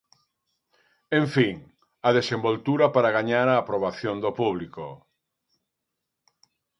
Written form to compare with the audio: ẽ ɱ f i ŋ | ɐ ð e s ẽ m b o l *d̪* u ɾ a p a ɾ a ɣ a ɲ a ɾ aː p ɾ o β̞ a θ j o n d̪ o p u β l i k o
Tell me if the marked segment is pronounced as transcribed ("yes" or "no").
no